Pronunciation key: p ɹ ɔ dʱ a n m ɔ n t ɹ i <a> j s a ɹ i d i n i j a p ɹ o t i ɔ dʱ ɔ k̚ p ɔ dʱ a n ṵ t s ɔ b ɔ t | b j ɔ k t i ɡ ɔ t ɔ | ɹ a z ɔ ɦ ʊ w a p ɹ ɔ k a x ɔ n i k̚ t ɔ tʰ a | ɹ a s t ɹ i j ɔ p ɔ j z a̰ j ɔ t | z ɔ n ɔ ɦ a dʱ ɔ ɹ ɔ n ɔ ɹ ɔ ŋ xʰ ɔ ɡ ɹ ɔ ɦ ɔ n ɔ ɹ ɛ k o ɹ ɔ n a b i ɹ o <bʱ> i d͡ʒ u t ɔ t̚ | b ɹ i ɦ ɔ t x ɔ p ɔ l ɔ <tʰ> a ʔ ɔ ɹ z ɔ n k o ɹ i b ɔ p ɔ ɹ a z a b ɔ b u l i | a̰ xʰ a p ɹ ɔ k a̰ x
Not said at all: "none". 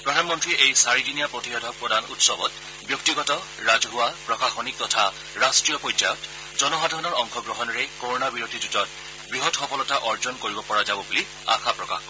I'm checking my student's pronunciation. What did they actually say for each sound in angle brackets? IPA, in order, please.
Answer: e, dʱ, t

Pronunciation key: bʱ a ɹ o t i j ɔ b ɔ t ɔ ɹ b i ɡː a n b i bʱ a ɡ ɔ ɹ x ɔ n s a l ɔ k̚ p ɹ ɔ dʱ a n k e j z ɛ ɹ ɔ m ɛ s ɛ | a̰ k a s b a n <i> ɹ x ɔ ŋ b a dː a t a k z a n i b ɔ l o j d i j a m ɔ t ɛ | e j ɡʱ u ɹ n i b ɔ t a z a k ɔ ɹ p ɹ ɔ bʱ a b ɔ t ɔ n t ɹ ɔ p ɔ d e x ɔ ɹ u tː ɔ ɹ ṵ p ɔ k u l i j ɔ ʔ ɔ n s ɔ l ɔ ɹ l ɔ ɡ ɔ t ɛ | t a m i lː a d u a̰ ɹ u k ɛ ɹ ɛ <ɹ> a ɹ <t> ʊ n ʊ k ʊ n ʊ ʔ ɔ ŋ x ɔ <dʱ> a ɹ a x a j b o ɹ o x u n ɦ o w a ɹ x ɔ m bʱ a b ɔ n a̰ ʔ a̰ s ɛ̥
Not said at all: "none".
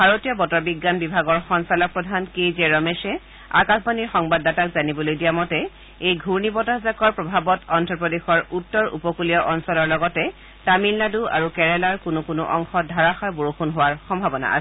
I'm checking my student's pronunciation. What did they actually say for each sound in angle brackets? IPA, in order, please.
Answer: i, l, k, dʱ

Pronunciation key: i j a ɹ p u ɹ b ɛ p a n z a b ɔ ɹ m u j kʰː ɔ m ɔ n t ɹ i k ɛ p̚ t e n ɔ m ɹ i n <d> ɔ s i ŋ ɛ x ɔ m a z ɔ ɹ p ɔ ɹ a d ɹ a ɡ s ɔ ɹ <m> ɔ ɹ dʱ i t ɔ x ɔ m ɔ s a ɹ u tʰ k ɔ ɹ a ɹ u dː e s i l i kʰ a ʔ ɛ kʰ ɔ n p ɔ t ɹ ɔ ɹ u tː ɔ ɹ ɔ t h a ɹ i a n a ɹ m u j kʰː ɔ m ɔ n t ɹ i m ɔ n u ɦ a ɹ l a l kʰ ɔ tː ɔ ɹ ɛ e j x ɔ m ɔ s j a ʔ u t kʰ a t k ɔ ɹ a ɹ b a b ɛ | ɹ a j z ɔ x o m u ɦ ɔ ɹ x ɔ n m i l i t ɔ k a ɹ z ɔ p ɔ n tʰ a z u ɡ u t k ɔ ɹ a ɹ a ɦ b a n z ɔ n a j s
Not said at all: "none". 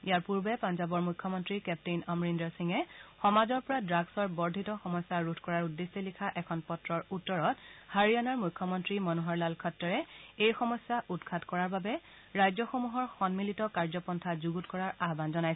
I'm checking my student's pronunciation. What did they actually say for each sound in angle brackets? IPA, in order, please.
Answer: d, b

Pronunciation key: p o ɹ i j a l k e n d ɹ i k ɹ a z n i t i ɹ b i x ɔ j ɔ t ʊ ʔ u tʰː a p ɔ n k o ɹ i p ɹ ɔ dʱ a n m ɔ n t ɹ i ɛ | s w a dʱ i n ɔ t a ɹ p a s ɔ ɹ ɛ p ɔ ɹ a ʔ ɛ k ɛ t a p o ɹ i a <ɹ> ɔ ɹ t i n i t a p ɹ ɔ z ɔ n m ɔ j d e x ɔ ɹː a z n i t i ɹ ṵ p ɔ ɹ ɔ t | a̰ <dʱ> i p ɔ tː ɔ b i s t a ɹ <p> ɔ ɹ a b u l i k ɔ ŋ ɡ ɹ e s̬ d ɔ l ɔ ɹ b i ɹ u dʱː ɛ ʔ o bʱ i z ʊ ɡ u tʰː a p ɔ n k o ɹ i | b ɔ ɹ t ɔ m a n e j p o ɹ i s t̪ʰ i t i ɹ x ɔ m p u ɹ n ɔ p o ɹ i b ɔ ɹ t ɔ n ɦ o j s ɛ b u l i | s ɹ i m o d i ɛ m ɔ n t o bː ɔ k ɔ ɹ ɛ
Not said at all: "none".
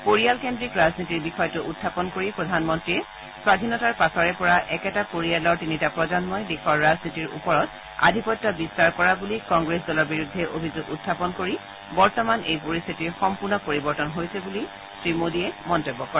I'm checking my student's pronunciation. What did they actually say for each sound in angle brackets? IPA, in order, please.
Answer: l, dʱ, k

